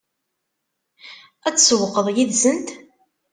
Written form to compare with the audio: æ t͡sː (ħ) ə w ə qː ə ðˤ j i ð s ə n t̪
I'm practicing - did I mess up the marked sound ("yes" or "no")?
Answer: yes